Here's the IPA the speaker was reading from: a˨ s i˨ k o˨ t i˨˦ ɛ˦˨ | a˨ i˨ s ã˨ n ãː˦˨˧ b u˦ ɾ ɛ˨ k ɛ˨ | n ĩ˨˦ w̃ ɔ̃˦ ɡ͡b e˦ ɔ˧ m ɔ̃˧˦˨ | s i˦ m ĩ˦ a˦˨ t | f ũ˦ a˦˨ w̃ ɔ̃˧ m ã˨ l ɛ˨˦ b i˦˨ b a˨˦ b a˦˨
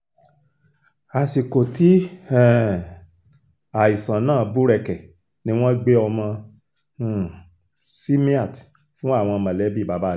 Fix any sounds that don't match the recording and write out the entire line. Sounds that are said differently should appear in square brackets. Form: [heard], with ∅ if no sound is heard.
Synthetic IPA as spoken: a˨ s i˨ k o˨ t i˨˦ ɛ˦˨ | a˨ i˨ s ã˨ n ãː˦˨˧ b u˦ ɾ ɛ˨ k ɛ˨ | n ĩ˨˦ w̃ ɔ̃˦ ɡ͡b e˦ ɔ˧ m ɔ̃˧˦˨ | s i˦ m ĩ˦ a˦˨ t | f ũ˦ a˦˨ w̃ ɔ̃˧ m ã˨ l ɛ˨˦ b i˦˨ b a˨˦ b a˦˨